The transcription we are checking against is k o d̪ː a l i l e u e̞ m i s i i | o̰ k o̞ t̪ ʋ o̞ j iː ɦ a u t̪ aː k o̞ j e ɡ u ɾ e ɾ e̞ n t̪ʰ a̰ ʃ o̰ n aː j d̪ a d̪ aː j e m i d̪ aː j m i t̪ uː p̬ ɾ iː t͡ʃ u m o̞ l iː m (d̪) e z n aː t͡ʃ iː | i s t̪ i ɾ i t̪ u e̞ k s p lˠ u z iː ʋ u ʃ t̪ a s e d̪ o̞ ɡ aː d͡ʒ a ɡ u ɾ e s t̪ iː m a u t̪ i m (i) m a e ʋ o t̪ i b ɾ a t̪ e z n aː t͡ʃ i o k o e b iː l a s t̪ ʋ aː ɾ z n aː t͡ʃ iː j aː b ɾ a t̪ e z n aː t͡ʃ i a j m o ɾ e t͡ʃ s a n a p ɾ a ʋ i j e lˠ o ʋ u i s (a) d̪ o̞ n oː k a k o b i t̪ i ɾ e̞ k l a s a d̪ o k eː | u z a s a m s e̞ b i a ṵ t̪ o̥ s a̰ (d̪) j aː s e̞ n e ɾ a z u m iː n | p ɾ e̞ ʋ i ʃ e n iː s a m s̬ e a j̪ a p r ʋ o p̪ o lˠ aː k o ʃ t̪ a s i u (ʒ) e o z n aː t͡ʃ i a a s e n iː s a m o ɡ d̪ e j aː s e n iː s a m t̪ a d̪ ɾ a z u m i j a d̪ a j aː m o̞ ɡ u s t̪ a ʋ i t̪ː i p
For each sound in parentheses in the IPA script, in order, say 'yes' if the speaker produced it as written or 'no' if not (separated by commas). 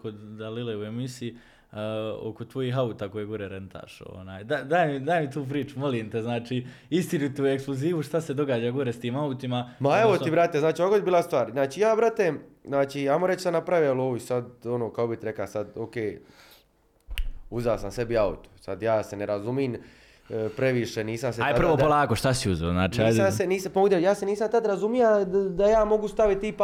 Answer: no, no, yes, yes, no